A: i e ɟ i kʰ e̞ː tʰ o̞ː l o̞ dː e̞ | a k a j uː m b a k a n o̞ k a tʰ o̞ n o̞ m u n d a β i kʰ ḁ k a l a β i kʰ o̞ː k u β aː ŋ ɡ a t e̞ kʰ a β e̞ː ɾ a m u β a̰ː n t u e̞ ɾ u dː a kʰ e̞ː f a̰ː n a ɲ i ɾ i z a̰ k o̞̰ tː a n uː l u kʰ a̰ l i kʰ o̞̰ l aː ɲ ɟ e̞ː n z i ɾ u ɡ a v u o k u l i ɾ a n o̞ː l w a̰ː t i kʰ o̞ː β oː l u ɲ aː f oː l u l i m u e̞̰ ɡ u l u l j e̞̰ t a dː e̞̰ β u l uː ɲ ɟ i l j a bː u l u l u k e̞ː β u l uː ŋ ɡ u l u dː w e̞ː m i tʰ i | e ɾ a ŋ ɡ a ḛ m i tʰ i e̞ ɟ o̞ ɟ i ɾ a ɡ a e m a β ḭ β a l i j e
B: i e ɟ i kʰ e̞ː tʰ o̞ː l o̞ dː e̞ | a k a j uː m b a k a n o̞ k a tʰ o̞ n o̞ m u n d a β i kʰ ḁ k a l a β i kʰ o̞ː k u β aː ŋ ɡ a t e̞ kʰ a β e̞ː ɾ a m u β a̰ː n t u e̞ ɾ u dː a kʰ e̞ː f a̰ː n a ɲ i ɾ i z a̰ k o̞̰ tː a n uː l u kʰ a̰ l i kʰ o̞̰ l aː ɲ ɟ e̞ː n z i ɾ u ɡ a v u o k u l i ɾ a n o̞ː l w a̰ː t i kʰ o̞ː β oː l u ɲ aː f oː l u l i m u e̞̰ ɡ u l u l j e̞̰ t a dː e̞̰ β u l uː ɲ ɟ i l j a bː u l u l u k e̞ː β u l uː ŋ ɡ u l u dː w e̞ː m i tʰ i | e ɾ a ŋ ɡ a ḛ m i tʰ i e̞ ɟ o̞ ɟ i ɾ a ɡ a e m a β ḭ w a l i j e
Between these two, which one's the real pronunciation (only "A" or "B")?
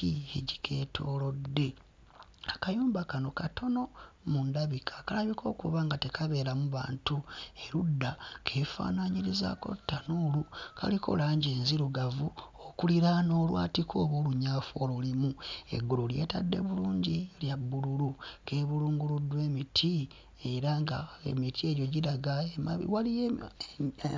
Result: B